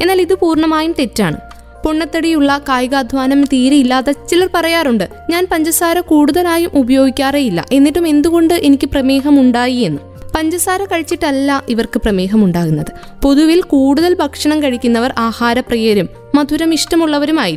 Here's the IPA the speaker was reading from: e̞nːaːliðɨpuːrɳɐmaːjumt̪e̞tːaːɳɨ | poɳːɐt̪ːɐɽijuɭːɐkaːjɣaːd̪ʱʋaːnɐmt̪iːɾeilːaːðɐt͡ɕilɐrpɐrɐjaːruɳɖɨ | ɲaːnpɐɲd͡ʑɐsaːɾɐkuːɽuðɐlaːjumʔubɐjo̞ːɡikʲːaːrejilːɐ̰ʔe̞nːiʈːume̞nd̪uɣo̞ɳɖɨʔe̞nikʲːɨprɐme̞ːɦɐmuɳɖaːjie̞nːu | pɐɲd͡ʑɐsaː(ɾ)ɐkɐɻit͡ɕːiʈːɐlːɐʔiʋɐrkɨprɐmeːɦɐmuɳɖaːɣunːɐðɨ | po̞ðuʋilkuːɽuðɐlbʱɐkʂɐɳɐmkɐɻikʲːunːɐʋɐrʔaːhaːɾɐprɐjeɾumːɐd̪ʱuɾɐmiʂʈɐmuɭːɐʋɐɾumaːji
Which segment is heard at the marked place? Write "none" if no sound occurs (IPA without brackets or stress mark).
ɾ